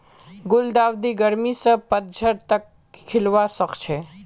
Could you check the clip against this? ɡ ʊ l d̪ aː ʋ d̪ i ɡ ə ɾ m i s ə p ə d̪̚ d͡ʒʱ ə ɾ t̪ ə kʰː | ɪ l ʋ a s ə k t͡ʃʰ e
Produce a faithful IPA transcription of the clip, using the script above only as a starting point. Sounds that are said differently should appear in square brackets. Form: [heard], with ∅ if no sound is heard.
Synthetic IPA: ɡ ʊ l d̪ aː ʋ d̪ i ɡ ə ɾ m i s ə p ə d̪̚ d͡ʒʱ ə ɾ t̪ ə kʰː | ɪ l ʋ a s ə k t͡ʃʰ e